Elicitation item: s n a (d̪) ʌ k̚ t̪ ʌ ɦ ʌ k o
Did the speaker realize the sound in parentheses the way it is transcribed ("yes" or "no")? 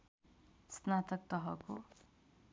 no